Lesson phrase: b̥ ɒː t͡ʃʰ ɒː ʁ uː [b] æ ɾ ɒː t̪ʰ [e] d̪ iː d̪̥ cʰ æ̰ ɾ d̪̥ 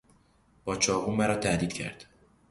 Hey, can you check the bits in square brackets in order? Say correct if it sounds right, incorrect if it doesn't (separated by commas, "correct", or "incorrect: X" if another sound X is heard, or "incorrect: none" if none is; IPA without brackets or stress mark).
incorrect: m, incorrect: æ